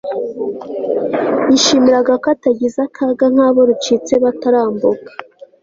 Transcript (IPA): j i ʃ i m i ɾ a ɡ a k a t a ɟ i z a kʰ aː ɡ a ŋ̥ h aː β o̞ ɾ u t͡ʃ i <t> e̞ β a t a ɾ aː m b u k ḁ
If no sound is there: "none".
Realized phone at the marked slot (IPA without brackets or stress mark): t͡s